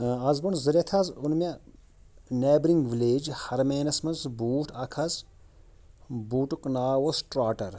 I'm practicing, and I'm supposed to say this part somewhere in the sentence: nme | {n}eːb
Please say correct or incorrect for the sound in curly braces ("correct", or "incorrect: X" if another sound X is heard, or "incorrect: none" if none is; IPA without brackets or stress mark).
correct